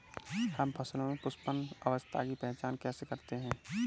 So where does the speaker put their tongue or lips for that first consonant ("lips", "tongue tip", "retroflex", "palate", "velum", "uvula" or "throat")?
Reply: throat